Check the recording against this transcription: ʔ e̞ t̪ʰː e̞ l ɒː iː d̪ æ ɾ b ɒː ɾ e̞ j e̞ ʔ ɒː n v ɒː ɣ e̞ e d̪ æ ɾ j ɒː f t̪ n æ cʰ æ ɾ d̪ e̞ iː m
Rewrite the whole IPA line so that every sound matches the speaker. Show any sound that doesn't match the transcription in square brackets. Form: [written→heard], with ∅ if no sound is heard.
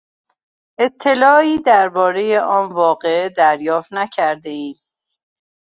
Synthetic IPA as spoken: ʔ e̞ t̪ʰː e̞ l ɒː iː d̪ æ ɾ b ɒː ɾ e̞ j e̞ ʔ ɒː n v ɒː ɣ e̞ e d̪ æ ɾ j ɒː f t̪ n æ cʰ æ ɾ d̪ e̞ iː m